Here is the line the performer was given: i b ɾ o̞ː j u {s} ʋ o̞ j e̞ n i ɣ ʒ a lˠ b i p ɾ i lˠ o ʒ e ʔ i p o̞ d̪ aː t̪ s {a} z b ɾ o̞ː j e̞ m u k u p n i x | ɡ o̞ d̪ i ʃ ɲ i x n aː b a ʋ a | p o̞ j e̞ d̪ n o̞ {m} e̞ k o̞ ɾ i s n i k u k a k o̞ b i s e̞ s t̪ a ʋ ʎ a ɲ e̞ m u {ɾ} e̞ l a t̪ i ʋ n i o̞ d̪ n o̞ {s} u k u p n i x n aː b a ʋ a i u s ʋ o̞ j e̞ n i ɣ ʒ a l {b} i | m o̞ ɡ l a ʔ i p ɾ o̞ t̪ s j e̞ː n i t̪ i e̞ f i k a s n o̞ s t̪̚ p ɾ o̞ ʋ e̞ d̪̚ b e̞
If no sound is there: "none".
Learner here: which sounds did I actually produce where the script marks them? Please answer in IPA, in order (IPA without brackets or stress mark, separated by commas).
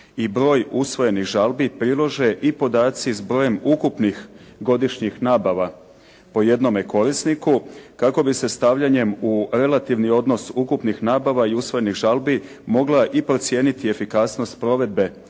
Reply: s, i, m, ɾ, s, b